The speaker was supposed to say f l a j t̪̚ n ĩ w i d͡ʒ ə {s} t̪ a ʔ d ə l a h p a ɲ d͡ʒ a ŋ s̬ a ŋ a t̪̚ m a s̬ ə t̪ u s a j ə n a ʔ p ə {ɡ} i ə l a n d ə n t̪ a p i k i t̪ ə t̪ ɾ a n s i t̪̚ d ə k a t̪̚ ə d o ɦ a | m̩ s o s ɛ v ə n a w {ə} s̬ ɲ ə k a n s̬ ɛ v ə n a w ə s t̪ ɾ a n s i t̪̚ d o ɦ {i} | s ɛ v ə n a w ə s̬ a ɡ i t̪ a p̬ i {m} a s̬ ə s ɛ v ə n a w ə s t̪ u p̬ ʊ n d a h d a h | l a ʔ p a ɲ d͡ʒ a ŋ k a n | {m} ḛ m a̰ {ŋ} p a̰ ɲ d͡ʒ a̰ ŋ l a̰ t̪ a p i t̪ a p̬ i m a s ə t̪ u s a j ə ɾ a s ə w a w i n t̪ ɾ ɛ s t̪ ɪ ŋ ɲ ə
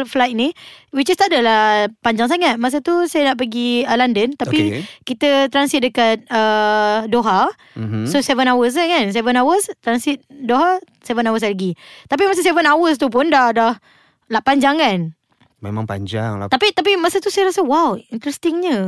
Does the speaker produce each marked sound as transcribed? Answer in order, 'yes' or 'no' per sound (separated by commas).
yes, yes, yes, no, yes, yes, yes